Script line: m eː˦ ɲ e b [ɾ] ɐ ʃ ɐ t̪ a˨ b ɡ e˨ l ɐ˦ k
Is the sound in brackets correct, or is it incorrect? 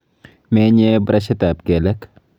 correct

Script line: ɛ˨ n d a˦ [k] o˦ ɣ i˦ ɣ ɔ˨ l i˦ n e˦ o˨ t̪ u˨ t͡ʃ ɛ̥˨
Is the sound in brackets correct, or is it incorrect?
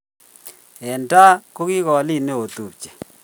correct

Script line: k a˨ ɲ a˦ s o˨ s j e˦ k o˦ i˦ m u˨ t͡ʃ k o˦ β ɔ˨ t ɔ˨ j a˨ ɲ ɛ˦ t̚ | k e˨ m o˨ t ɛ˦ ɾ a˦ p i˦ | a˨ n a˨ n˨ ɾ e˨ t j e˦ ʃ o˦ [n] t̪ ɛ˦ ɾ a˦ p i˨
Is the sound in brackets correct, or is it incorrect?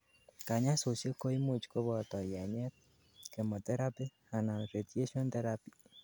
correct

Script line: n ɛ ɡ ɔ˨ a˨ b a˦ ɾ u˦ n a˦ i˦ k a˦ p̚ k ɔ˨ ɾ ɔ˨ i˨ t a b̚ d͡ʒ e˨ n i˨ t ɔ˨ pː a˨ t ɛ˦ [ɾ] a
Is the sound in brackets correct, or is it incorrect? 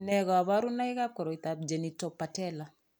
incorrect: l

